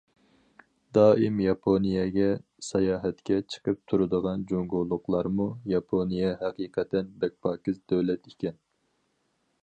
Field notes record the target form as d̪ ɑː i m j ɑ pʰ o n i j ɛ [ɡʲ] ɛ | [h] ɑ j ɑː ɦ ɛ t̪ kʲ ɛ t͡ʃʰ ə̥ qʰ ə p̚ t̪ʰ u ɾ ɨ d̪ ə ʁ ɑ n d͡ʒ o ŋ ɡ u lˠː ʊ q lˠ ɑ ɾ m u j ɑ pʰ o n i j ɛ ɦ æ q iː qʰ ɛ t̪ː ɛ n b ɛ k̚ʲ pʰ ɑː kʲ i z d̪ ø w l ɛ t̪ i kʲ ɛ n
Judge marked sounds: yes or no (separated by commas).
yes, no